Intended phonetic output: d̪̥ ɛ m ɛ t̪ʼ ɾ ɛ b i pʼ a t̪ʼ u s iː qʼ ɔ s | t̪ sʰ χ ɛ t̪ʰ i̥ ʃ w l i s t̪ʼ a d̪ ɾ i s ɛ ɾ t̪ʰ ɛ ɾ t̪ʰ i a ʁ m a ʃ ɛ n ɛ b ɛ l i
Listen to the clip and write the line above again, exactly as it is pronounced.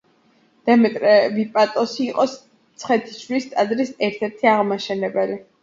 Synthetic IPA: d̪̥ ɛ m ɛ t̪ʼ ɾ ɛ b i pʼ a t̪ʼ ɔ s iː qʼ ɔ s | t̪ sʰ χ ɛ t̪ʰ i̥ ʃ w l i s t̪ʼ a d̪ ɾ i s ɛ ɾ t̪ʰ ɛ ɾ t̪ʰ i a ʁ m a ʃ ɛ n ɛ b ɛ l i